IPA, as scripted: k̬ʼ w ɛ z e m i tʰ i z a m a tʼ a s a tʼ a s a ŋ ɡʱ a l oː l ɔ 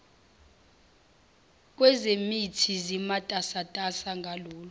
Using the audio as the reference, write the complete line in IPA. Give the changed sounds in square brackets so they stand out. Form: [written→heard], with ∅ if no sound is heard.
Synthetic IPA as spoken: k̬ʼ w ɛ z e m i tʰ i z [a→i] m a tʼ a s a tʼ a s a ŋ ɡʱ a l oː l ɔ